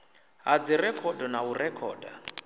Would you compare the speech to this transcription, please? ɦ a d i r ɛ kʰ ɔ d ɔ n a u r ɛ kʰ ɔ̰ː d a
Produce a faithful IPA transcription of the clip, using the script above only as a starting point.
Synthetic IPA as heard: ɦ a d͡z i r ɛ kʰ ɔ d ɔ n a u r ɛ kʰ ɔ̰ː d a